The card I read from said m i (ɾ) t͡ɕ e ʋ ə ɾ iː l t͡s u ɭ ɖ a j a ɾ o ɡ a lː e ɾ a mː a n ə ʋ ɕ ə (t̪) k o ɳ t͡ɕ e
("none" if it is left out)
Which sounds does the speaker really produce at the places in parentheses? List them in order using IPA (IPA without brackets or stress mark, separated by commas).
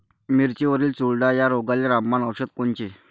ɾ, t̪